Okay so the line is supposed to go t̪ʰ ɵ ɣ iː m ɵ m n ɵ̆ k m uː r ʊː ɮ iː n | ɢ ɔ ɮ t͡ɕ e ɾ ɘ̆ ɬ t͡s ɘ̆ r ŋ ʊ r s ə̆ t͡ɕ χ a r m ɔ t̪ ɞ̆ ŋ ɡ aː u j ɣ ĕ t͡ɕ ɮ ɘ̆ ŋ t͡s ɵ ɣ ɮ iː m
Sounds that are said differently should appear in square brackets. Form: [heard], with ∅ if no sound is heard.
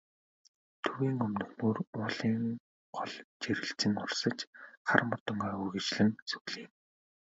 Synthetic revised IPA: t̪ʰ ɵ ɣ iː [ŋ] ɵ m n ɵ̆ [x] m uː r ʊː ɮ iː [ŋ] | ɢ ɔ ɮ t͡ɕ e ɾ ɘ̆ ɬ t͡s ɘ̆ [∅] ŋ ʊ r s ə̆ t͡ɕ χ a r m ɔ t̪ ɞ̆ ŋ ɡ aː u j ɣ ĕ t͡ɕ ɮ ɘ̆ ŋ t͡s ɵ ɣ ɮ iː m